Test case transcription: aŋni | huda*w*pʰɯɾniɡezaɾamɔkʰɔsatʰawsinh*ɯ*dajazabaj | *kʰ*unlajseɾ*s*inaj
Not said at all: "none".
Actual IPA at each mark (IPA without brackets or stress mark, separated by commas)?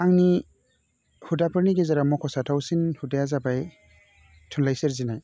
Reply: none, u, tʰ, z